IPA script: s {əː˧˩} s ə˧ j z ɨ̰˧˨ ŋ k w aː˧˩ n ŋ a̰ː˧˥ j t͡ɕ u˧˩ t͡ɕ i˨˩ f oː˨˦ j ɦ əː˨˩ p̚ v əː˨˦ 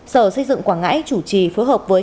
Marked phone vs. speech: correct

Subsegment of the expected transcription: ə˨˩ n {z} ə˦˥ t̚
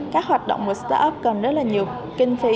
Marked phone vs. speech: correct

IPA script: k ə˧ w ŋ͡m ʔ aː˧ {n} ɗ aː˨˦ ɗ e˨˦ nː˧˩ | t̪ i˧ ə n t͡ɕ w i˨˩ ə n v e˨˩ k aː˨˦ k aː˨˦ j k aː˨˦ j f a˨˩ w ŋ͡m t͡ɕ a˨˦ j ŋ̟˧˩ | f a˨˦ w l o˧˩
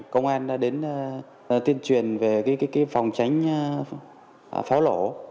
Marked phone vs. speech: correct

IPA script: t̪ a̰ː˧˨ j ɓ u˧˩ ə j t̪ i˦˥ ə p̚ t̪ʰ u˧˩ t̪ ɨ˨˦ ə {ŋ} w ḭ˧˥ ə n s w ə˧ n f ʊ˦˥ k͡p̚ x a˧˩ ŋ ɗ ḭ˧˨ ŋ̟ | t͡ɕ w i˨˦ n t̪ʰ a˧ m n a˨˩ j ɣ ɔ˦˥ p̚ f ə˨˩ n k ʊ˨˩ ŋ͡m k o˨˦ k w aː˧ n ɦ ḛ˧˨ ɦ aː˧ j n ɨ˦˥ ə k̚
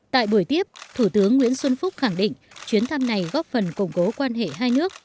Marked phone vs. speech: incorrect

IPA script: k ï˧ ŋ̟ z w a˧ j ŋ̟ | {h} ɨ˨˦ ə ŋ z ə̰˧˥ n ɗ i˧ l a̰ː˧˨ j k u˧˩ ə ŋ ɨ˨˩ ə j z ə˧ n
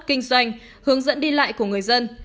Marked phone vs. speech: correct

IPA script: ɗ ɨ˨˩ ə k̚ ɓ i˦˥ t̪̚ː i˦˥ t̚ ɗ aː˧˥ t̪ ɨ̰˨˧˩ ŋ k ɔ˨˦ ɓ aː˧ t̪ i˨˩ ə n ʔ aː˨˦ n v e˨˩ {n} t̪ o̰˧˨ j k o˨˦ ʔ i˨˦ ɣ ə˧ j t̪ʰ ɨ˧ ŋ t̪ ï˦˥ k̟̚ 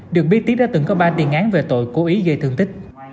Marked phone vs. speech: incorrect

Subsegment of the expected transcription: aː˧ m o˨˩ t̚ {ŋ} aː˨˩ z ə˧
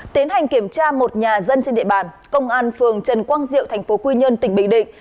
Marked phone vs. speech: incorrect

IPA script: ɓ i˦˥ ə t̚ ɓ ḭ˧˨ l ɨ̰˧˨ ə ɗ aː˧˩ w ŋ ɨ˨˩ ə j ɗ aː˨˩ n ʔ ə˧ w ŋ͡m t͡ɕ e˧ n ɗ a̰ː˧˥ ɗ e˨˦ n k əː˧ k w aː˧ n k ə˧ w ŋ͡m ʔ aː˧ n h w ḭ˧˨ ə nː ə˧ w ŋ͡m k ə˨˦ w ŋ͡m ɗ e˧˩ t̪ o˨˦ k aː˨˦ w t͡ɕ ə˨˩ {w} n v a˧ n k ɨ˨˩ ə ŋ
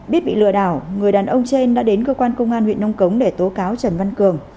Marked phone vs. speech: incorrect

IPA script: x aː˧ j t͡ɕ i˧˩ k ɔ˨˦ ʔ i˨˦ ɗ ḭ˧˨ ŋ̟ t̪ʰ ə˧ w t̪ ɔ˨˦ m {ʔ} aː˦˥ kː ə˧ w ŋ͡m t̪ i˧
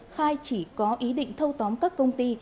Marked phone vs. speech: incorrect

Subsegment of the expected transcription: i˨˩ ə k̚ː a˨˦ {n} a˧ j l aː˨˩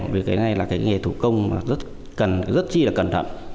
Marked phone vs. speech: correct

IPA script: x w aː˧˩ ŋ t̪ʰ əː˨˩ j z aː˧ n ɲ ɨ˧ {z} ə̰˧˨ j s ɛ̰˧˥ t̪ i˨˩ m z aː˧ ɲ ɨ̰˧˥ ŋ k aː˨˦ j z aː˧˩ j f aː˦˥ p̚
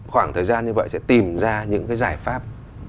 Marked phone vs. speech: incorrect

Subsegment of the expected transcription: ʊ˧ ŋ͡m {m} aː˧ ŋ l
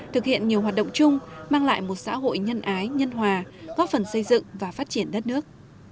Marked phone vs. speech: correct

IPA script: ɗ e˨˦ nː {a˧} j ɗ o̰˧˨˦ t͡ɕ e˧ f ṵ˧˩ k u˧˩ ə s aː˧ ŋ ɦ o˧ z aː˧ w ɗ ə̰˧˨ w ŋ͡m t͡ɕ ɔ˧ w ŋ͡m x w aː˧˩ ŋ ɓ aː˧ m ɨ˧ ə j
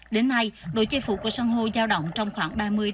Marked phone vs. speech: correct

